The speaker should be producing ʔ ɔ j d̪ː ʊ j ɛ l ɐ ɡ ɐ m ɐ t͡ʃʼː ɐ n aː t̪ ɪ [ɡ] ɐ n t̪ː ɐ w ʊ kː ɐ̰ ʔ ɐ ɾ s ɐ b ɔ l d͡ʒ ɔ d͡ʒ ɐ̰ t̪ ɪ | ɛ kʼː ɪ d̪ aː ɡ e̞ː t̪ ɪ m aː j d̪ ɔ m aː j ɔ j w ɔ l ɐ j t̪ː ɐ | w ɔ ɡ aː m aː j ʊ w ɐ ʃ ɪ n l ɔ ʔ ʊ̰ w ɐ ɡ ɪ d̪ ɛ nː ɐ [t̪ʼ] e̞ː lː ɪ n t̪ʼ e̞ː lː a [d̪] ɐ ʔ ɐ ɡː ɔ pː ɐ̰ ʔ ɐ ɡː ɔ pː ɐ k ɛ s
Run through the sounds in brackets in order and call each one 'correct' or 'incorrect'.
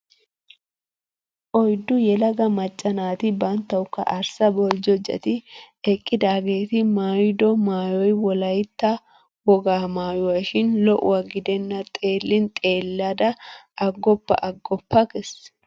incorrect, correct, correct

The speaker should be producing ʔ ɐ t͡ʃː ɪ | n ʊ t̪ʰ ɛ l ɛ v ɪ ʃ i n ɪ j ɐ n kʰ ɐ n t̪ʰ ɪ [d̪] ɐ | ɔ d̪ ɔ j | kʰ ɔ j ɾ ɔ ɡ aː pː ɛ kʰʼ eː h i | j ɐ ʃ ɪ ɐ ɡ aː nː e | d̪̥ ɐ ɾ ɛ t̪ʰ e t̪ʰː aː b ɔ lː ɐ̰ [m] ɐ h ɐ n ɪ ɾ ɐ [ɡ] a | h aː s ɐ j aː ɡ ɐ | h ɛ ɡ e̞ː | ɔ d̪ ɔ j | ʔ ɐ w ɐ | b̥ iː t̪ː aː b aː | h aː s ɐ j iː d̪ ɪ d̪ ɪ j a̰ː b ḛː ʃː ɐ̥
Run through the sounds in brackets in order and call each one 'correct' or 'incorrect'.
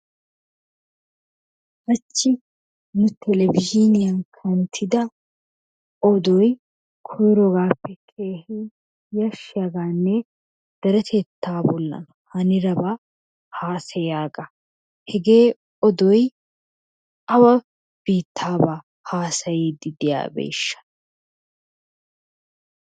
correct, incorrect, incorrect

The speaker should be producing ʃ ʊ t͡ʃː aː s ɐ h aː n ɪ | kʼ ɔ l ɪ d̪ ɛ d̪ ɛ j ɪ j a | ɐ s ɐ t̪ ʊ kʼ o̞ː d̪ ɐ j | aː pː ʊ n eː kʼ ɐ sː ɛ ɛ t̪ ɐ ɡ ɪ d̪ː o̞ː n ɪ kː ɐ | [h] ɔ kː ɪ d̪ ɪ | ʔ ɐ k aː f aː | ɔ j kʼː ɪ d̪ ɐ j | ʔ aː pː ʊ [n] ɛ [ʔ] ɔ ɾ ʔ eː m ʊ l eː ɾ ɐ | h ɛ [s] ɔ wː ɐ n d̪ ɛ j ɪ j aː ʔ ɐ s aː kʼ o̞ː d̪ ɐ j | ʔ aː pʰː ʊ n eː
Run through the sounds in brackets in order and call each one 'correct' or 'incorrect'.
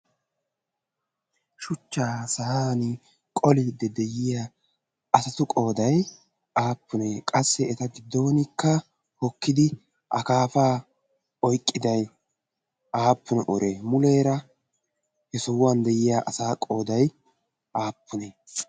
correct, correct, correct, correct

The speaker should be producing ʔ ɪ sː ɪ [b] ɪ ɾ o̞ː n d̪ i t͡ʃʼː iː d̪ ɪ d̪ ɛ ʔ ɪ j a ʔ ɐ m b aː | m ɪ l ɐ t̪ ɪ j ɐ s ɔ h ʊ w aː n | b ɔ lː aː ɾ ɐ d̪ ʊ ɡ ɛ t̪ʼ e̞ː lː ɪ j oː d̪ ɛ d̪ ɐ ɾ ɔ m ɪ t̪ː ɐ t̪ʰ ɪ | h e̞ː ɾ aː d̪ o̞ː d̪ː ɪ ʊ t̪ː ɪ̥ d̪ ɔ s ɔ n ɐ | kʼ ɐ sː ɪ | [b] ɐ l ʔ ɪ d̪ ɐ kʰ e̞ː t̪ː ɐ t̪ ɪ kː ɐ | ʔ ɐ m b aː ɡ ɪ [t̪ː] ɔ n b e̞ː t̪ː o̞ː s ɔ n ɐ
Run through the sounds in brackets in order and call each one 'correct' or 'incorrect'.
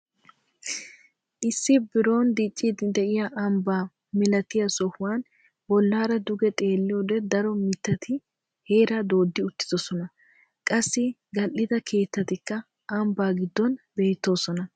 correct, incorrect, incorrect

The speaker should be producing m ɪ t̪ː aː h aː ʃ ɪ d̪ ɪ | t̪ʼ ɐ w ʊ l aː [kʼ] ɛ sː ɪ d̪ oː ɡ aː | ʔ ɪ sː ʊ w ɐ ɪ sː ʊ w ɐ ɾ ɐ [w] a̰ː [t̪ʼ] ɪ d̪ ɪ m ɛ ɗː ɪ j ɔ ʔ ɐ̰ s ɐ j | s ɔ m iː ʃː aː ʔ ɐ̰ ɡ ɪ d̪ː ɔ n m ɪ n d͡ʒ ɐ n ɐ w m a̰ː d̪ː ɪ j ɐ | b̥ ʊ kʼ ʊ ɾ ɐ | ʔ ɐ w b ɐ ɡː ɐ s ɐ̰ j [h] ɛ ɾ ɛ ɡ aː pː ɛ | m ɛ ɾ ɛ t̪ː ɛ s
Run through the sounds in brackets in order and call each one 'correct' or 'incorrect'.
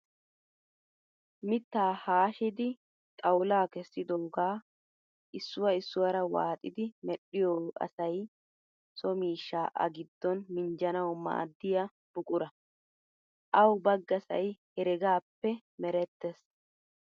incorrect, correct, correct, correct

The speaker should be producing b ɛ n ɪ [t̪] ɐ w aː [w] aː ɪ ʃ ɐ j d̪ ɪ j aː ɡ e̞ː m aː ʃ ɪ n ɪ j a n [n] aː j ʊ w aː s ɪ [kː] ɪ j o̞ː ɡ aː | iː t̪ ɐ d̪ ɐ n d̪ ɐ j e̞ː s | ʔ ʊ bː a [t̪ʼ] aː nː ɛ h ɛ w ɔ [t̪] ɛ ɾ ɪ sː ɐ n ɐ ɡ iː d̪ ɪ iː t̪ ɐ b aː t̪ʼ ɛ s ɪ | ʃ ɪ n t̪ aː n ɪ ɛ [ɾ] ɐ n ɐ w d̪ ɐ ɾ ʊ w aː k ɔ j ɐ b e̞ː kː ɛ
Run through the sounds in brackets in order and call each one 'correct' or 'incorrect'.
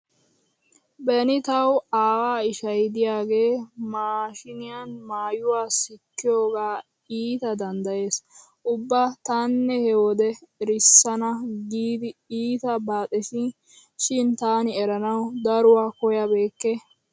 correct, correct, incorrect, correct, incorrect, incorrect, correct

